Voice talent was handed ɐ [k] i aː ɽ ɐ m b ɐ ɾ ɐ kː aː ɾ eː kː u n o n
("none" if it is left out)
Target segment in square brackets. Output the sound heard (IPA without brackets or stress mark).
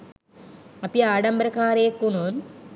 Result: p